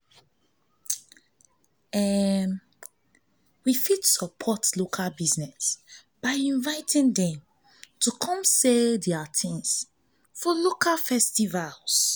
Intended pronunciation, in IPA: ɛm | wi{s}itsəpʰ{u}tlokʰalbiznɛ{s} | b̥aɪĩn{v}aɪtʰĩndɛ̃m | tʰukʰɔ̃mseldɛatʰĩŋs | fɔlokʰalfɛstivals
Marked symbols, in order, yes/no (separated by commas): no, no, yes, yes